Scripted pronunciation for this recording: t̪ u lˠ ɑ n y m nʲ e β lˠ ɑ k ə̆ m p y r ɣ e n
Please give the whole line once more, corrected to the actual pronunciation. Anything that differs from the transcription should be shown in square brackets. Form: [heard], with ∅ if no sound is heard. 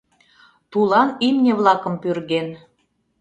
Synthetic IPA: t̪ u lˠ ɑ n [i] m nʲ e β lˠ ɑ k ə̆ m p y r ɣ e n